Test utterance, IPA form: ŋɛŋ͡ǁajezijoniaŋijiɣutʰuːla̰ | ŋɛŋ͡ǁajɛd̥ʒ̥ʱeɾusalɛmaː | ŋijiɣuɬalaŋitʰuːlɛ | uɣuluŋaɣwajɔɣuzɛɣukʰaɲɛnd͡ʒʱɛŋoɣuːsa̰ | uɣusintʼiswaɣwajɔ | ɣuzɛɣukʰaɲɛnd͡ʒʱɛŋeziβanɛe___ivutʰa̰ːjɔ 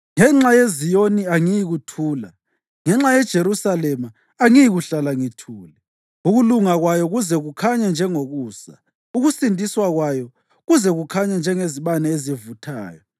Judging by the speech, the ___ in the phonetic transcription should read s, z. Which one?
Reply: z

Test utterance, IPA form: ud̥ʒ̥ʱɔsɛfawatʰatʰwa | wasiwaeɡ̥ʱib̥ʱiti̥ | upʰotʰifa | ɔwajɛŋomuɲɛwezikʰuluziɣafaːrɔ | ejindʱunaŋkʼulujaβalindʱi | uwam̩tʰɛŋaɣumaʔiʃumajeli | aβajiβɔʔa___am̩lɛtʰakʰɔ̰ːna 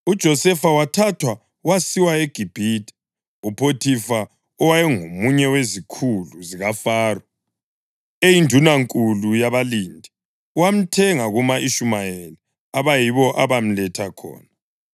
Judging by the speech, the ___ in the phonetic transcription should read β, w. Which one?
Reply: β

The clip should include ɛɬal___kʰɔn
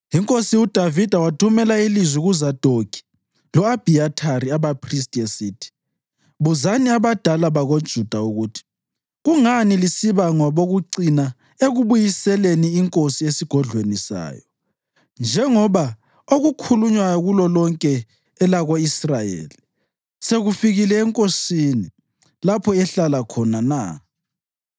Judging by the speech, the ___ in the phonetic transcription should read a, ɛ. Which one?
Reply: a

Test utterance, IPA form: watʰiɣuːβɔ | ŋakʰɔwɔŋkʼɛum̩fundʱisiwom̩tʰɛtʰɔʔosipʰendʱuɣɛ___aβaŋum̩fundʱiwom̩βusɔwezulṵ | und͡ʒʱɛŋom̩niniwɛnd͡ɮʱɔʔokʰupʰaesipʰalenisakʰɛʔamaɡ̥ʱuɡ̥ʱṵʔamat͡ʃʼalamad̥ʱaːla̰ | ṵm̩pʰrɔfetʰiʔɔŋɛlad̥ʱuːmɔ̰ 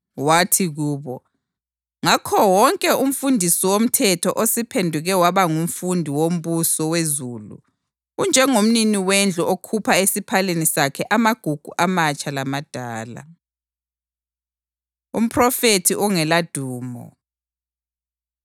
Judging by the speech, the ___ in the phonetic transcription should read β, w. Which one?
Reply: w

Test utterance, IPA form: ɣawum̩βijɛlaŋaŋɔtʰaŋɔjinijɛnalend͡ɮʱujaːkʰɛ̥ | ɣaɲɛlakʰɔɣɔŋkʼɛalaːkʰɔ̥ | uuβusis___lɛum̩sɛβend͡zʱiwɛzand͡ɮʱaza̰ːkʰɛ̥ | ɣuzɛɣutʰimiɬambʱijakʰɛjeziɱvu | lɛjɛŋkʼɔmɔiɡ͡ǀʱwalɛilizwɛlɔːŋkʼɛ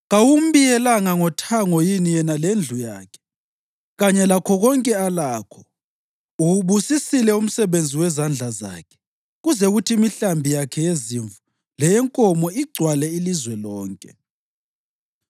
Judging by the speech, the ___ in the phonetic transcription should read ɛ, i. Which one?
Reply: i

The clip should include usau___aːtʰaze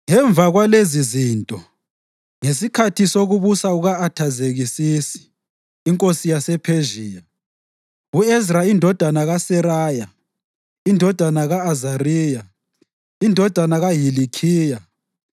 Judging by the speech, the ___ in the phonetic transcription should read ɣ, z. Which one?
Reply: ɣ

